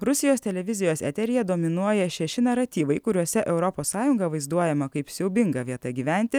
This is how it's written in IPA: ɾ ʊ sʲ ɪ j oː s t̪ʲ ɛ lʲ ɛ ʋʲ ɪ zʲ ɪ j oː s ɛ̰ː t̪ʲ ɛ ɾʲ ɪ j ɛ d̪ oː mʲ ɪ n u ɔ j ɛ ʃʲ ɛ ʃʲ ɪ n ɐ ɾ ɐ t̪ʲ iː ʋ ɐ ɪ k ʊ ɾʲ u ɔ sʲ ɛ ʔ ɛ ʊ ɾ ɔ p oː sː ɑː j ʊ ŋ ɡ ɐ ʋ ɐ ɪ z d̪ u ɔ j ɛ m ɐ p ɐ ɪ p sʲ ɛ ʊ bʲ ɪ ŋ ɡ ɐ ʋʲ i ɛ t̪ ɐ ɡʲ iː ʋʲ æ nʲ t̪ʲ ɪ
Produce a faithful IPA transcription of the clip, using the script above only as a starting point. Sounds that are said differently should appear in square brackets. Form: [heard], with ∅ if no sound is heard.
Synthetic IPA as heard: ɾ ʊ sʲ ɪ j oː s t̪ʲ ɛ lʲ ɛ ʋʲ ɪ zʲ ɪ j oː s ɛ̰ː t̪ʲ ɛ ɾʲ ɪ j ɛ d̪ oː mʲ ɪ n u ɔ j ɛ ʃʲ ɛ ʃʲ ɪ n ɐ ɾ ɐ t̪ʲ iː ʋ ɐ ɪ k ʊ ɾʲ u ɔ sʲ ɛ ʔ ɛ ʊ ɾ ɔ p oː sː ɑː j ʊ ŋ ɡ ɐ ʋ ɐ ɪ z d̪ u ɔ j ɛ m ɐ [k] ɐ ɪ p sʲ ɛ ʊ bʲ ɪ ŋ ɡ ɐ ʋʲ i ɛ t̪ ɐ ɡʲ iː ʋʲ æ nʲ t̪ʲ ɪ